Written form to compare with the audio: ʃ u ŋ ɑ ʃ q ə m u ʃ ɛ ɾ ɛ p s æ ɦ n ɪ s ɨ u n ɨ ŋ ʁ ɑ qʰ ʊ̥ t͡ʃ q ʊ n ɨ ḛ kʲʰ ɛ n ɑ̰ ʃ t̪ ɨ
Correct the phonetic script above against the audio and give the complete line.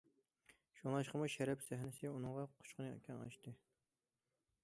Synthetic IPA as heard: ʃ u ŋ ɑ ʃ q ə m u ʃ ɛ ɾ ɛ p s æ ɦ n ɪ s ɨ u n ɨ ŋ ʁ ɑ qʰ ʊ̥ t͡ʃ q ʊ n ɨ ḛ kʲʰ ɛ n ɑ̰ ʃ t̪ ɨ